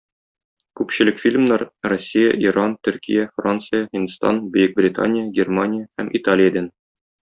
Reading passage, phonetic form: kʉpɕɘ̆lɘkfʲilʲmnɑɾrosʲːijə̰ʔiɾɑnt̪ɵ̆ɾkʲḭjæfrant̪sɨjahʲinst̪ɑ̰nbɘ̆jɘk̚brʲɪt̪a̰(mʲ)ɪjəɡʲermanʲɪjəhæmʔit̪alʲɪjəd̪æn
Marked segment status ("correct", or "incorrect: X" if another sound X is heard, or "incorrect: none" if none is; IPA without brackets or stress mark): incorrect: nʲ